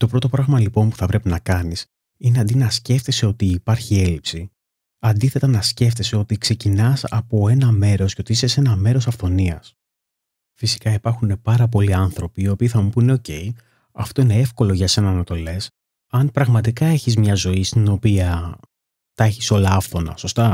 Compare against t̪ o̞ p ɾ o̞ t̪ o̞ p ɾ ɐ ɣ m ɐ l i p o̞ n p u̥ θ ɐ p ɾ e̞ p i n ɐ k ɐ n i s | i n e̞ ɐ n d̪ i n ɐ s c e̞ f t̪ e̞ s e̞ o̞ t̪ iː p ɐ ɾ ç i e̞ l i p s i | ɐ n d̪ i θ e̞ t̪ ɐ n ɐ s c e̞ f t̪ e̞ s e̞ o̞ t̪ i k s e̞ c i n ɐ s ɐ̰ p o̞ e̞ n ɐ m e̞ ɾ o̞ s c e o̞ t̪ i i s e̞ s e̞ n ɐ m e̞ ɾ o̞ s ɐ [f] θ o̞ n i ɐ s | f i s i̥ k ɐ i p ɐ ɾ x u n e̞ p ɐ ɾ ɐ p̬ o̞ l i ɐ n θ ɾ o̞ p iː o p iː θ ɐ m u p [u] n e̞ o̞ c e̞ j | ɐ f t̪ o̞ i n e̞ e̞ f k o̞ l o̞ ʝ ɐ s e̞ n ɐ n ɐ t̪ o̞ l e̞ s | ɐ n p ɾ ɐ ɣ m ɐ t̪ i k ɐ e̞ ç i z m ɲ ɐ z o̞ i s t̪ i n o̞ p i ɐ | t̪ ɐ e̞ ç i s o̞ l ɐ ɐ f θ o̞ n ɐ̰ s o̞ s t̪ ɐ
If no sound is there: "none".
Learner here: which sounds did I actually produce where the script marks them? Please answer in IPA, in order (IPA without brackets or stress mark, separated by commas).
f, u